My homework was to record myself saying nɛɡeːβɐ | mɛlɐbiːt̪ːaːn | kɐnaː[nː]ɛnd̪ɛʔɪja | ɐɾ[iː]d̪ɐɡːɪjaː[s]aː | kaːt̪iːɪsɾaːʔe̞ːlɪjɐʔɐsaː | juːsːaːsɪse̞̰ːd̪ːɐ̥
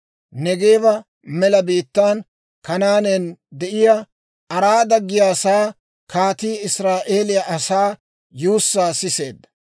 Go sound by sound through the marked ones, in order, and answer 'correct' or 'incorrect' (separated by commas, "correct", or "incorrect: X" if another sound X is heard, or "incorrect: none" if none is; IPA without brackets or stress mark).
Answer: incorrect: n, incorrect: aː, correct